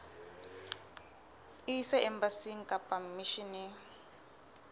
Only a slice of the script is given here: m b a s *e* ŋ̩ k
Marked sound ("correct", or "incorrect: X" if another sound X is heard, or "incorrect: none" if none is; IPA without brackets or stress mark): incorrect: i